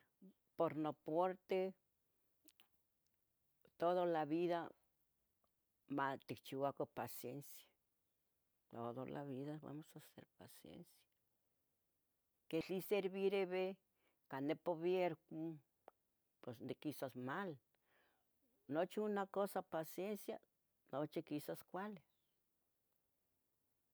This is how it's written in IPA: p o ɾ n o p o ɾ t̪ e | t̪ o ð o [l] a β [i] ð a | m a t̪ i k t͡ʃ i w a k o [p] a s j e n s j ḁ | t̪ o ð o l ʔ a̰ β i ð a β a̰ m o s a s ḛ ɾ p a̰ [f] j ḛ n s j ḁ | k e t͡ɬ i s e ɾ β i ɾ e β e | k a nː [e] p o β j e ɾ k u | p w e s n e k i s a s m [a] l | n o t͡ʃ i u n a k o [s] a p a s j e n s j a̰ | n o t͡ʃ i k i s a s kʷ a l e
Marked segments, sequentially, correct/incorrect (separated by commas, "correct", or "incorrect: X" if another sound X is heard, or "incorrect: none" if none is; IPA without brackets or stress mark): correct, correct, correct, incorrect: s, correct, correct, correct